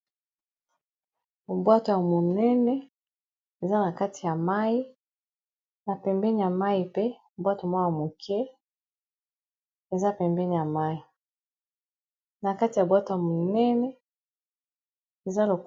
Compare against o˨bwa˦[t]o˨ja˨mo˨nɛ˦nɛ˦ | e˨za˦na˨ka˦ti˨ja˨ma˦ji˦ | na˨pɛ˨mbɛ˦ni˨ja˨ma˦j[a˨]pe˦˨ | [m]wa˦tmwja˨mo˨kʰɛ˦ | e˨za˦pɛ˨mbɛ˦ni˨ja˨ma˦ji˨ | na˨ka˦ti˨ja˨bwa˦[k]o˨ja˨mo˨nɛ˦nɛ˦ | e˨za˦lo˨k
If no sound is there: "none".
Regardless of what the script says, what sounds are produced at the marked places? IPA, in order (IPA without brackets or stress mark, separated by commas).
t, i˨, b, t